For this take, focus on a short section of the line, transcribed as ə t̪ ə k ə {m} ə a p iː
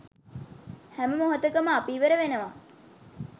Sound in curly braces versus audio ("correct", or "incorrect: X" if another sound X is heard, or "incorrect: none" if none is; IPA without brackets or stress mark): correct